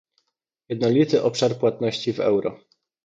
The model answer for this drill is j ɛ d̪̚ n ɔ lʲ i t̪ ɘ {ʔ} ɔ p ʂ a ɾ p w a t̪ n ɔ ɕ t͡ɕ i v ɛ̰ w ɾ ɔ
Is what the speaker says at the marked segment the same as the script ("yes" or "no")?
yes